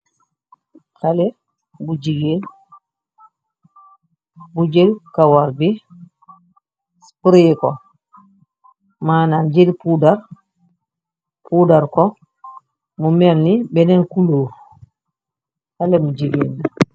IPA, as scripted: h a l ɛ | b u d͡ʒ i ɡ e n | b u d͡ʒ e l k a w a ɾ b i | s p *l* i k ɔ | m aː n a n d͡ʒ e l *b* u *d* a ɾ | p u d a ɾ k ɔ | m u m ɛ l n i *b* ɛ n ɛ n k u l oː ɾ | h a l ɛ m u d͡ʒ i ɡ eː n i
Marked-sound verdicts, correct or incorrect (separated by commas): incorrect, incorrect, correct, correct